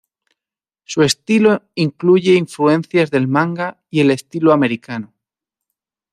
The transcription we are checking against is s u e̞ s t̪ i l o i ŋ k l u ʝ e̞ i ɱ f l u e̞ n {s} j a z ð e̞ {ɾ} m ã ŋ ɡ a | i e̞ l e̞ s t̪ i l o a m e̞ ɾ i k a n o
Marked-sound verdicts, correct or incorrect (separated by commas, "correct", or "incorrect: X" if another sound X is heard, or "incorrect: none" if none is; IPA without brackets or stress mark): incorrect: θ, incorrect: l